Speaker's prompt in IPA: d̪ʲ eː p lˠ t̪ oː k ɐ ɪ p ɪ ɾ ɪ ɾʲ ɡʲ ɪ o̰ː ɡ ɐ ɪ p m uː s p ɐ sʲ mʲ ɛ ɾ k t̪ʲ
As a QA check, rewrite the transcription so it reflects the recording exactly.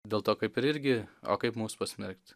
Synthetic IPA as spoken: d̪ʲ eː lˠ t̪ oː k ɐ ɪ p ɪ ɾ ɪ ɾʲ ɡʲ ɪ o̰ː k ɐ ɪ p m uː s p ɐ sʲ mʲ ɛ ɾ k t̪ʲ